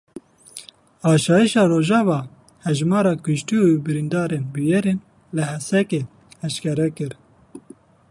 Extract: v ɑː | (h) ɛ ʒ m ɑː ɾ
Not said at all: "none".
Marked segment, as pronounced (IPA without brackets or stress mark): h